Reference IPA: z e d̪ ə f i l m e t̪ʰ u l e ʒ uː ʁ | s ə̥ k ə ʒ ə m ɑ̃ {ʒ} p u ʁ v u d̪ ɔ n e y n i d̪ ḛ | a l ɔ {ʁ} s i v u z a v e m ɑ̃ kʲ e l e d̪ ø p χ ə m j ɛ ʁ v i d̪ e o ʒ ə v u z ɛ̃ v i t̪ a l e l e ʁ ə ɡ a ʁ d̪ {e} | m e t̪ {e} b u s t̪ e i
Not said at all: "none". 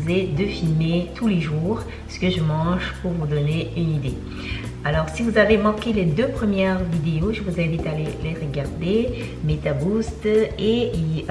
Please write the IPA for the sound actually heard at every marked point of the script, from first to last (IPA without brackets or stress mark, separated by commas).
ʒ, ʁ, e, a